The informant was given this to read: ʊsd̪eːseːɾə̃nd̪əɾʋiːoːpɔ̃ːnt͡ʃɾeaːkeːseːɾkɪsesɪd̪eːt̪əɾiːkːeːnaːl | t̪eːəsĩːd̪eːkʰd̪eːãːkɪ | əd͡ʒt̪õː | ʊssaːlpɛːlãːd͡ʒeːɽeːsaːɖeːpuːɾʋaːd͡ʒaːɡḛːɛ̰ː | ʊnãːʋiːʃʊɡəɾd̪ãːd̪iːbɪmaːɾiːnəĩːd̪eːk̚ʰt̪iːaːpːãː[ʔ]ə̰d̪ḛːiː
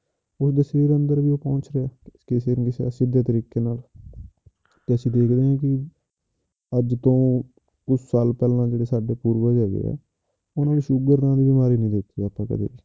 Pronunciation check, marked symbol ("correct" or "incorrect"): incorrect